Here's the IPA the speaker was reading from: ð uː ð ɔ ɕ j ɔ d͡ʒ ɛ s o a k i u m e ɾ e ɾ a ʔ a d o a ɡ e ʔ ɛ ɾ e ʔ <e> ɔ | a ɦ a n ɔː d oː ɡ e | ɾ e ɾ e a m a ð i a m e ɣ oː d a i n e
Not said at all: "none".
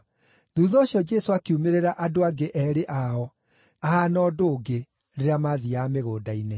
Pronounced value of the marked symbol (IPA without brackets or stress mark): a